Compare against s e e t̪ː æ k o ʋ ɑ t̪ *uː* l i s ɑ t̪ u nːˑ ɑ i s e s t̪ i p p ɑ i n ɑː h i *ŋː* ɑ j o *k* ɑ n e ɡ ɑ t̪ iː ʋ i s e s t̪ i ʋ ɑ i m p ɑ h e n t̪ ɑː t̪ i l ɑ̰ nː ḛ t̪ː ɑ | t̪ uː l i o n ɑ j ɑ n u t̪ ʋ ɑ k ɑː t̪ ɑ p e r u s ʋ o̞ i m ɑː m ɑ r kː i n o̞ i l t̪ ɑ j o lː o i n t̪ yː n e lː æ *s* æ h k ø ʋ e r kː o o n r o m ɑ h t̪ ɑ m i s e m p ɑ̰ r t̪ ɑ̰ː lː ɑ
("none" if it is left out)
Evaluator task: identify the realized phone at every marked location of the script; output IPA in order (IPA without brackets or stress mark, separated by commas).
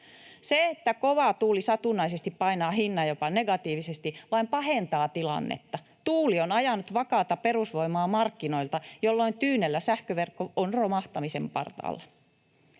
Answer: uː, nː, p, s